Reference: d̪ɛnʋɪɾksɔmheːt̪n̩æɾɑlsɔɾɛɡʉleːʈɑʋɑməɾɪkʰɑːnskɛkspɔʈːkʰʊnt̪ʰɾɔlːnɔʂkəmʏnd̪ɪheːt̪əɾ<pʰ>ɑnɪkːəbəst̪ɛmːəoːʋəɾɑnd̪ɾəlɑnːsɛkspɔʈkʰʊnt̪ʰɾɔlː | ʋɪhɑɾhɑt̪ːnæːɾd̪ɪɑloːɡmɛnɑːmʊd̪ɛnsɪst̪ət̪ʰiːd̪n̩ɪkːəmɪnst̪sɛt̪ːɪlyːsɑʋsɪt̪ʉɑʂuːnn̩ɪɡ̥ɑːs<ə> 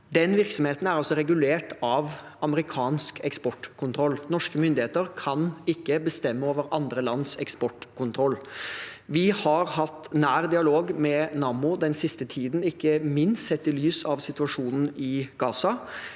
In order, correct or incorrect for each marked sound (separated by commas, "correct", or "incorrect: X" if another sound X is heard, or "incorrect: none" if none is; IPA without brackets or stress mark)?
incorrect: kʰ, incorrect: ɑ